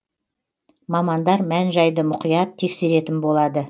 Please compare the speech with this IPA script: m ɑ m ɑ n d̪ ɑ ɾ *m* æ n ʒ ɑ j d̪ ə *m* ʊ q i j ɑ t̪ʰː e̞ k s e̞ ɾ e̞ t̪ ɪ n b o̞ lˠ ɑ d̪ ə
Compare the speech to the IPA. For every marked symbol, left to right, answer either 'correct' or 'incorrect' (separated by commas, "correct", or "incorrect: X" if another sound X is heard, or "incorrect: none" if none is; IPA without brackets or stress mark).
correct, correct